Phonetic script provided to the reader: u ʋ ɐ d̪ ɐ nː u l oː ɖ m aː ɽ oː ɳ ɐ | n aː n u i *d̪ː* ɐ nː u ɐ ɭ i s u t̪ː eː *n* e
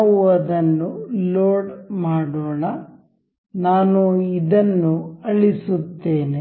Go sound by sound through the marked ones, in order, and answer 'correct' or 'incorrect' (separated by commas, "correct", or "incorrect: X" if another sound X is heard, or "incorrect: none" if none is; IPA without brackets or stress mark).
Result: incorrect: d̪, correct